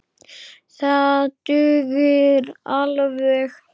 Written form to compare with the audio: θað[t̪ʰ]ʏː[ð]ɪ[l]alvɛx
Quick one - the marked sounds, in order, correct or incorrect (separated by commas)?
incorrect, incorrect, incorrect